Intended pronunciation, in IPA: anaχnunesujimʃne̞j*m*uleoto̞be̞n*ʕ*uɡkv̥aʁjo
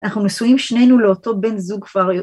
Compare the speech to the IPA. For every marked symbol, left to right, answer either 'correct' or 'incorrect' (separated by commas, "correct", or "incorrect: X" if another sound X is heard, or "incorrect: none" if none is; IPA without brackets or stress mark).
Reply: incorrect: n, incorrect: z